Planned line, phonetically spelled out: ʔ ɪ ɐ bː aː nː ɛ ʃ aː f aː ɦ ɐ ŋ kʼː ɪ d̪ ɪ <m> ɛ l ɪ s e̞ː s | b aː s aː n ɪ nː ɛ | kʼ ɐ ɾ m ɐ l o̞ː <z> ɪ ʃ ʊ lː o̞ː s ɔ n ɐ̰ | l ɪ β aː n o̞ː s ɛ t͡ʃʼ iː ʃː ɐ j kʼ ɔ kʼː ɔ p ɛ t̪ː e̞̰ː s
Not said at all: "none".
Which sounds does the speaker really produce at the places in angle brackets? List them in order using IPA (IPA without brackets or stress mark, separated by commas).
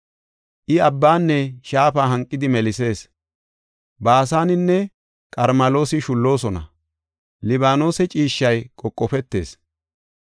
m, s